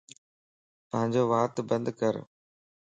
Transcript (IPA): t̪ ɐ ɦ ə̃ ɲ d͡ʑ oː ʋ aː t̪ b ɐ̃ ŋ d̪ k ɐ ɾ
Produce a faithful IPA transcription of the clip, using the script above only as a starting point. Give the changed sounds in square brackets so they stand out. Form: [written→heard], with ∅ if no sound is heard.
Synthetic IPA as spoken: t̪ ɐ ɦ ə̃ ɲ d͡ʑ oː ʋ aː t̪ b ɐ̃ [ŋ→n] d̪ k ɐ ɾ